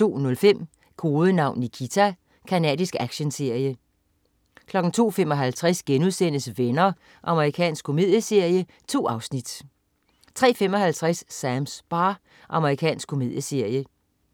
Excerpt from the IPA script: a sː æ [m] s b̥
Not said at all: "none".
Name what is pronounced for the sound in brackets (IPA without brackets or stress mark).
m